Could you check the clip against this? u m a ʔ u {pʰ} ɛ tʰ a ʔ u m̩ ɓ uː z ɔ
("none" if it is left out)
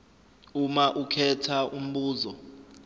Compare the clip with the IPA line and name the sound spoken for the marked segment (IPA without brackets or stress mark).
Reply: kʰ